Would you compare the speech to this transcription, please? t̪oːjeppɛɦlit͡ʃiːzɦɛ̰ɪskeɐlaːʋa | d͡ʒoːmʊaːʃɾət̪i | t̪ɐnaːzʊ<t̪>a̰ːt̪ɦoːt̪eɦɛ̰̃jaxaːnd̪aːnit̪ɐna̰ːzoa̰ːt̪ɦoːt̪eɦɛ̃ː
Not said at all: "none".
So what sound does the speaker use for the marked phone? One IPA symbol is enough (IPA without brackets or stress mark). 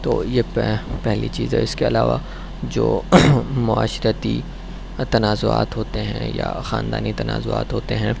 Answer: none